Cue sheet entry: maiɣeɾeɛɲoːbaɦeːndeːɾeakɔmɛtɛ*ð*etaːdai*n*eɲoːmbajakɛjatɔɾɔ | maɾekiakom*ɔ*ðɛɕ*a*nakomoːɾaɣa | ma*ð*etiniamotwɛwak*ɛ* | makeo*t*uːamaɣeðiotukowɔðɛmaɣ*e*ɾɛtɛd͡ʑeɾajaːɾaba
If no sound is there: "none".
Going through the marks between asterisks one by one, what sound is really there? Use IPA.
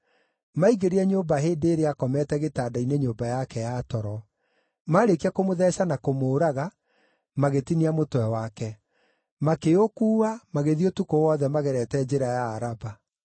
ɣ, n, o, a, ɣ, ɛ, k, ɛ

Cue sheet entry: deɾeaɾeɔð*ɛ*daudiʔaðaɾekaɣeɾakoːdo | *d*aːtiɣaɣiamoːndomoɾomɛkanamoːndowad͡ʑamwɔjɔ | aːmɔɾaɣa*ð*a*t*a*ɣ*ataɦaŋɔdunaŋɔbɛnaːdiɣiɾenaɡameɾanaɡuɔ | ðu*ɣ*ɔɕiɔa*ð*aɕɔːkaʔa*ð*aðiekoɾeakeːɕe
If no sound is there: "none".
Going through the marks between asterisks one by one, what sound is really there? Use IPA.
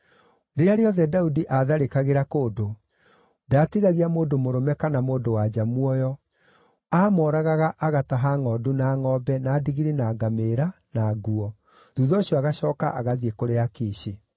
ɛ, d, ɣ, ʔ, ɣ, ð, ɣ, ɣ

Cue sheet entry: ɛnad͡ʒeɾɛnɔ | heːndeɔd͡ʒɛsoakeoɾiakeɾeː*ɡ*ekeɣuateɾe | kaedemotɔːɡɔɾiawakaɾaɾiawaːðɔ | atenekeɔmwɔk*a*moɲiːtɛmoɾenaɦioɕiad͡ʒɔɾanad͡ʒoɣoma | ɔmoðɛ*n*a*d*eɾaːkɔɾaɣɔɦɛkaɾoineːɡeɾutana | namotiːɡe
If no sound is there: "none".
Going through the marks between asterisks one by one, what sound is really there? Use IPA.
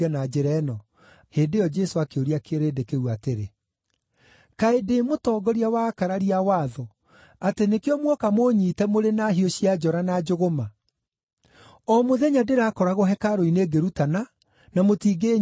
d, a, ɲ, d

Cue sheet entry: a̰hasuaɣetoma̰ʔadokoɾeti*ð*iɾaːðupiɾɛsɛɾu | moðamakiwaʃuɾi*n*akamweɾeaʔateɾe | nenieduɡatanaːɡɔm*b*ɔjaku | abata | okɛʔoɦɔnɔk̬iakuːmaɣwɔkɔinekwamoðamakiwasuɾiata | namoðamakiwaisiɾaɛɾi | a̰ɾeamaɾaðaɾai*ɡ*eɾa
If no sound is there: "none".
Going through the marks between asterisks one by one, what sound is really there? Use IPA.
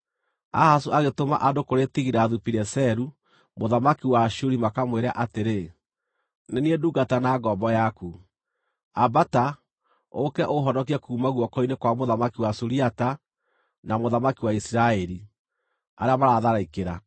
ɣ, m, b, k

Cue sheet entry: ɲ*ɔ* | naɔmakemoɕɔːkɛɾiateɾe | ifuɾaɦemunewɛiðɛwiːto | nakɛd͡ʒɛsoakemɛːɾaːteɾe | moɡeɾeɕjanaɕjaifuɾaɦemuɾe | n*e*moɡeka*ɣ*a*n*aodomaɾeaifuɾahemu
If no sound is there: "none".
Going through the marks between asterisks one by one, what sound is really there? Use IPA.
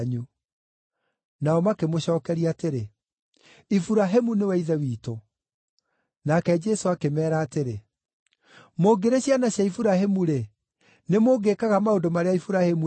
u, e, ɣ, m

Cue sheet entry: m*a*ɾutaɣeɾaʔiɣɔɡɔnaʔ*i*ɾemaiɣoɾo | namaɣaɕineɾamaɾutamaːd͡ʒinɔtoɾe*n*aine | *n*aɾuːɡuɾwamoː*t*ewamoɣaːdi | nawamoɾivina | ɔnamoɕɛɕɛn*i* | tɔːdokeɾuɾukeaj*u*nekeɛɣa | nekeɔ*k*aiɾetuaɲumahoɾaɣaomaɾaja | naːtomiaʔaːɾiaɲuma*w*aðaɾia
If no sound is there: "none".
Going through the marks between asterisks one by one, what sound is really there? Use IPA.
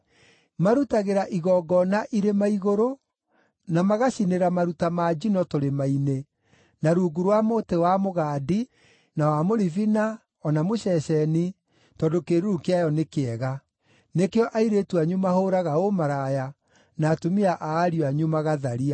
a, i, m, n, t, i, ɔ, ʔ, ɣ

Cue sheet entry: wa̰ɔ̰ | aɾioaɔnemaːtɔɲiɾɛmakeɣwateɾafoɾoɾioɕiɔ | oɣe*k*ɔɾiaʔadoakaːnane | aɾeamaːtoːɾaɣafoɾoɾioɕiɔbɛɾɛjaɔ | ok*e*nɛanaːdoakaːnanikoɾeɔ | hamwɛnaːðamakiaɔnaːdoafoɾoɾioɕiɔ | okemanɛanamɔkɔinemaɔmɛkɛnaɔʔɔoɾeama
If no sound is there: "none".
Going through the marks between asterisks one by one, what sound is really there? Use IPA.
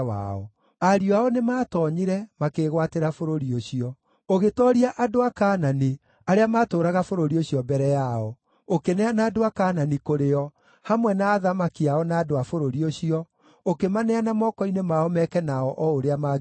t, e

